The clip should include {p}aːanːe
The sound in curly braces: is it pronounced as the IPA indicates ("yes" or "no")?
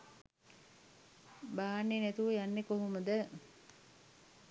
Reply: no